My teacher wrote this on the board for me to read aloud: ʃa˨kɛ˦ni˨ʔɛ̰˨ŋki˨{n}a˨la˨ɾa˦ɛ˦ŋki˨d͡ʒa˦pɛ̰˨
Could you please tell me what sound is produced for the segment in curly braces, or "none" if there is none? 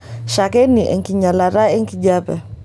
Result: ɲ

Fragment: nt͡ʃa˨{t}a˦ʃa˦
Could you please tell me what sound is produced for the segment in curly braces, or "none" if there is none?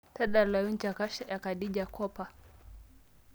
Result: k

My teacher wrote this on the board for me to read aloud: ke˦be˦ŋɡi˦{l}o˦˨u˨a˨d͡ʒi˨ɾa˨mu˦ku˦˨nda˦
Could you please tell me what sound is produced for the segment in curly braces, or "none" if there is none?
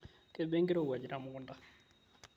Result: ɾ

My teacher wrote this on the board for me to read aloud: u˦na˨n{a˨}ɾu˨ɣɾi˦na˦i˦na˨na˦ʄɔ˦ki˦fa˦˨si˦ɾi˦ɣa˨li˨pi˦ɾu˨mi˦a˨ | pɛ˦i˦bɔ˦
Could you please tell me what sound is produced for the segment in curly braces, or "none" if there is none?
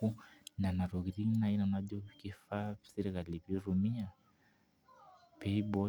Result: a˨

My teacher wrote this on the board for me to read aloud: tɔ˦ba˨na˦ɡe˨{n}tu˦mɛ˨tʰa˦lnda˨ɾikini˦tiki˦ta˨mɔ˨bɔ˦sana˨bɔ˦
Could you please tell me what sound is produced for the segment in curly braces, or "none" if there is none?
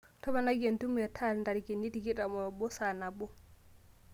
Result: n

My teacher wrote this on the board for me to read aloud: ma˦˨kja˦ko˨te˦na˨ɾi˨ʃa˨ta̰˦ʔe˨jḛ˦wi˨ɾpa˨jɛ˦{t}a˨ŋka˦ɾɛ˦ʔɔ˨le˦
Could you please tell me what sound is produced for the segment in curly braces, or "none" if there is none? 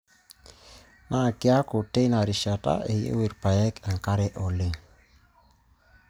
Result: k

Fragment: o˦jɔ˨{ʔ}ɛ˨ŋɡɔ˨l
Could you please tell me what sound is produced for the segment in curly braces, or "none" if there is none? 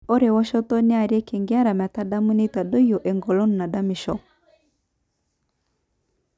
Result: ʔ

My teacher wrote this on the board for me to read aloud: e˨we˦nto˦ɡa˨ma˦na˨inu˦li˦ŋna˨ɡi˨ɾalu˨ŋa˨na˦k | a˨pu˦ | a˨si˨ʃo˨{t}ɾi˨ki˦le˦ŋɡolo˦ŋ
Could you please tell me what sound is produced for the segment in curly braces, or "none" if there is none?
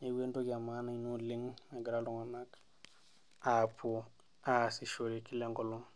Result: none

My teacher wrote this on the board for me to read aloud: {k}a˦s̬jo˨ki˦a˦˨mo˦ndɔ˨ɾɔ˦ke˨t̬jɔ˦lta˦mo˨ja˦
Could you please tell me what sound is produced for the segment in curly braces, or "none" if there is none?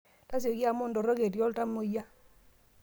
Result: t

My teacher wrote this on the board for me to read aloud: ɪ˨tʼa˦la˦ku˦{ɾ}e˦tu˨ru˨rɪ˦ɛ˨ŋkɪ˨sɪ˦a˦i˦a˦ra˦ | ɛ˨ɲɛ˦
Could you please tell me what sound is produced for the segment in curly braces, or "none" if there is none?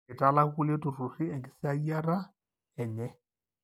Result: l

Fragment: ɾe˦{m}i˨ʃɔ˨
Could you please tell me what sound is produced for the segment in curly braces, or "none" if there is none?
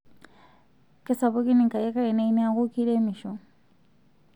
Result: m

